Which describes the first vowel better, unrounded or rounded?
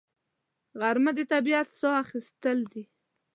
unrounded